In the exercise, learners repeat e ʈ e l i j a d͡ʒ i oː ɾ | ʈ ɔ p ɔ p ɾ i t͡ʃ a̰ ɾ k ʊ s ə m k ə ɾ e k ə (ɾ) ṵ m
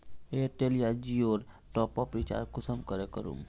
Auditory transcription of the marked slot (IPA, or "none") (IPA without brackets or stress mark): ɾ